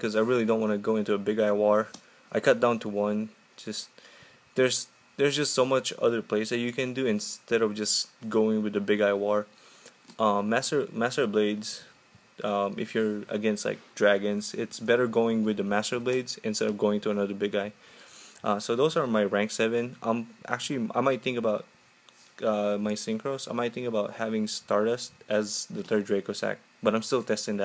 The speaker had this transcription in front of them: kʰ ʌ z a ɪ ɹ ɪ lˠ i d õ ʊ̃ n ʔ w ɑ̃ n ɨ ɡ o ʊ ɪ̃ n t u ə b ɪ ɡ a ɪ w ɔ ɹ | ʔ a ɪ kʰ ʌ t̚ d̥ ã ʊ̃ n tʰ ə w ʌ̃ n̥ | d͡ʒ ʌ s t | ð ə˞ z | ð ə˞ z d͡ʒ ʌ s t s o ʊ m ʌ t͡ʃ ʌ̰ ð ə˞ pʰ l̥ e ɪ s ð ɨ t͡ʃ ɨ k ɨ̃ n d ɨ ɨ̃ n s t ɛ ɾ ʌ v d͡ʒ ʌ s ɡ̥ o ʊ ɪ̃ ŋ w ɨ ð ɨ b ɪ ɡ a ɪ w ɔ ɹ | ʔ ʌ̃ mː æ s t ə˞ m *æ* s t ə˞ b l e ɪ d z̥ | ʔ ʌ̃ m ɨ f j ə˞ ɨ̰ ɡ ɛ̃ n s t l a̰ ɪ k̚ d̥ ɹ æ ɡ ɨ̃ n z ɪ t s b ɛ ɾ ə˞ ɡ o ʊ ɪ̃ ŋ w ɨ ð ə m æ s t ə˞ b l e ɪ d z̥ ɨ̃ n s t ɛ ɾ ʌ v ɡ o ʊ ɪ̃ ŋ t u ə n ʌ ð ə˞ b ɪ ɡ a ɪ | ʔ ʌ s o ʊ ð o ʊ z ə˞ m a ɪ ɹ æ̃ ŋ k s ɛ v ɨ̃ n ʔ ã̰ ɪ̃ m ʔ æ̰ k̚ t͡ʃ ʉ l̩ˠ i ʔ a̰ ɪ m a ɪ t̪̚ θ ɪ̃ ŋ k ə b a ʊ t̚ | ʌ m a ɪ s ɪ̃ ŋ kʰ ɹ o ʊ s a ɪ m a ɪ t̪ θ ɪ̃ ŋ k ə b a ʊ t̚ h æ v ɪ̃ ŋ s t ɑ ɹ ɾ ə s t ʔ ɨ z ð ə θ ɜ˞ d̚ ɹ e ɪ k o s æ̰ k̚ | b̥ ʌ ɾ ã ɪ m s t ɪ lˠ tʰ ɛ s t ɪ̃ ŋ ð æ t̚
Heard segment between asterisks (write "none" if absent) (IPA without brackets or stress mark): æ